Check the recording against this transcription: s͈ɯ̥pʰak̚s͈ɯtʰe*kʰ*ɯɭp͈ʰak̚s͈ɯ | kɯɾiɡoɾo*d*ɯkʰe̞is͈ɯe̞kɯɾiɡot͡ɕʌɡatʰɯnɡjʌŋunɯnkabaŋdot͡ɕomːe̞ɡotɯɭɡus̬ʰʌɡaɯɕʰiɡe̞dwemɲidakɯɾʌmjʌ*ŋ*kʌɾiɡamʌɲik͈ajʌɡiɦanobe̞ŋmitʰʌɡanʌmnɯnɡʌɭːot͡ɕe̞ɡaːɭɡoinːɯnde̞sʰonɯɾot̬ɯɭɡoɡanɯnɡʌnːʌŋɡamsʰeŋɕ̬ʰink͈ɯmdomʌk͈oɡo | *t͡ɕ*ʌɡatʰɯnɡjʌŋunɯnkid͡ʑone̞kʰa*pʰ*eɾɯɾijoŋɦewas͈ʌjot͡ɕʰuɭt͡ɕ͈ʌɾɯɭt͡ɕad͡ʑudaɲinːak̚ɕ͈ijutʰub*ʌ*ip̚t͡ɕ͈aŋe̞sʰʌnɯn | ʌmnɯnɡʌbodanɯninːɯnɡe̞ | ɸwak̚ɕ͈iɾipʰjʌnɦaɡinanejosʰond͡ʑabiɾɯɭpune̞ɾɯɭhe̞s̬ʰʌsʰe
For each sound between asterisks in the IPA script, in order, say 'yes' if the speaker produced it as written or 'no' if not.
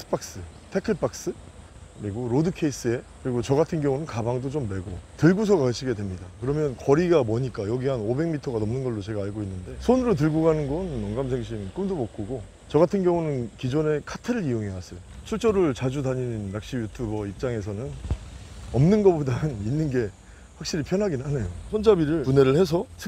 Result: yes, yes, no, yes, no, yes

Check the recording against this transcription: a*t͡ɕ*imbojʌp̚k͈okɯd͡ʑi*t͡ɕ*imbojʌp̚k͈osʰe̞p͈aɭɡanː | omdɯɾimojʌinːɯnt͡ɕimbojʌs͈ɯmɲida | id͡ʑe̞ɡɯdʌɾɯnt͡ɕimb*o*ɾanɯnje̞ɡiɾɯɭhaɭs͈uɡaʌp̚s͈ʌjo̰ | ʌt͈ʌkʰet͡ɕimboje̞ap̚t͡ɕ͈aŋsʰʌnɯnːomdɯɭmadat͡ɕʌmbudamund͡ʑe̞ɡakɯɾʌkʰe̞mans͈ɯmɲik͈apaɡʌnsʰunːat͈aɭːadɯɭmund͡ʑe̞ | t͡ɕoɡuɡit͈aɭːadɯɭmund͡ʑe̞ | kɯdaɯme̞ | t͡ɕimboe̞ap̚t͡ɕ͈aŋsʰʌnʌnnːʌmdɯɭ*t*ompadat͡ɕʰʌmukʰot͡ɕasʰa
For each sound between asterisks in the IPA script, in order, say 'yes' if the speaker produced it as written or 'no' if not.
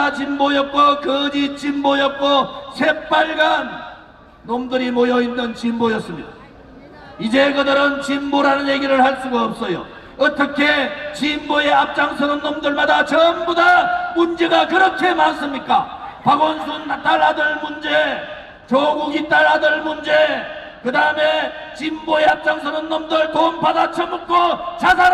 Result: yes, yes, yes, yes

